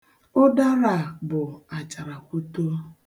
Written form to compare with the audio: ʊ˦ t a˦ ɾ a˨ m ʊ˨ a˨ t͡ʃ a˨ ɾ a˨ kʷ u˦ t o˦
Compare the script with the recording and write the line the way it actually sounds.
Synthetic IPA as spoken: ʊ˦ d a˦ ɾ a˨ b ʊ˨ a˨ t͡ʃ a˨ ɾ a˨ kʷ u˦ t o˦